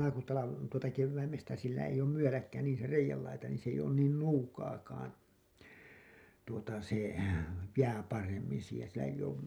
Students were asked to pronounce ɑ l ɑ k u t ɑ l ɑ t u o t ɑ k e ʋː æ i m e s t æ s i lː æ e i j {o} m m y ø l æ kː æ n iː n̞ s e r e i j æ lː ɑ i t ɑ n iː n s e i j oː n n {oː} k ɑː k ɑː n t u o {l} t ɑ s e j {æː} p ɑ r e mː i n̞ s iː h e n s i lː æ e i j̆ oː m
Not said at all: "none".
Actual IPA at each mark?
oː, uː, none, æː

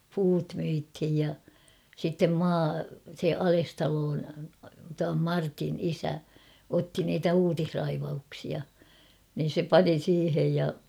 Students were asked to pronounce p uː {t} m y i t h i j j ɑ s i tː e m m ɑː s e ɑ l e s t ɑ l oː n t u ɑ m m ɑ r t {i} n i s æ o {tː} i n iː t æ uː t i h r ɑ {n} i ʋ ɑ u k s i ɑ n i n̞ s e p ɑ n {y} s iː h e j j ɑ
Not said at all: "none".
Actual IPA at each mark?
t, i, tː, none, i

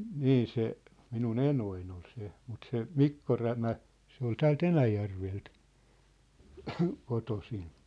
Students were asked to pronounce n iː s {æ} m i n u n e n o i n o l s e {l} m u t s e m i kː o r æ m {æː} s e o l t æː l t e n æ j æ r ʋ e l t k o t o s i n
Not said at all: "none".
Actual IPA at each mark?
e, none, æ

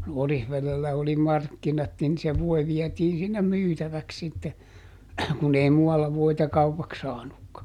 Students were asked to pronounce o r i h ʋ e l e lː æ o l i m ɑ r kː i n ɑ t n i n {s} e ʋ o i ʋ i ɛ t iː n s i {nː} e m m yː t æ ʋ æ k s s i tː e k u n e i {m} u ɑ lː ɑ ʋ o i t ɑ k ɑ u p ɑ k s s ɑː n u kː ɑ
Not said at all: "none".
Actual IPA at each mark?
s, nː, m

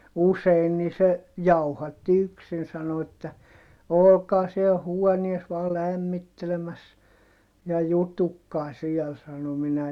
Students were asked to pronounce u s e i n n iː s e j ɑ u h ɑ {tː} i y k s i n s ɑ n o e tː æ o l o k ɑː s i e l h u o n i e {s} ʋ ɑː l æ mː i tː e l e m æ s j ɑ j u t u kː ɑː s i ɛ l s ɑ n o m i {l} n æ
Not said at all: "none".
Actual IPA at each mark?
tː, s, none

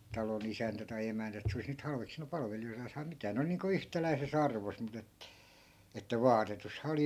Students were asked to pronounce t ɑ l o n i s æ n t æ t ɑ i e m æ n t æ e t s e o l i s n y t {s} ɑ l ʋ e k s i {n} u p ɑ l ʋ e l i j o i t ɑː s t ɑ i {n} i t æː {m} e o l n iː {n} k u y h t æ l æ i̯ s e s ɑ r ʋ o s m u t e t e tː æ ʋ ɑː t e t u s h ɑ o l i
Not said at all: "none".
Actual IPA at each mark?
h, n, m, n, ŋ

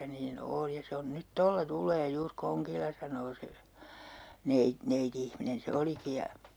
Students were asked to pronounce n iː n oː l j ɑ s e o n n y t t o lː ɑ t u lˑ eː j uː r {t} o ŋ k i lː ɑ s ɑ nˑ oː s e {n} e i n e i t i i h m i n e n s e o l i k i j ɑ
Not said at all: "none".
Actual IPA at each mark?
k, n

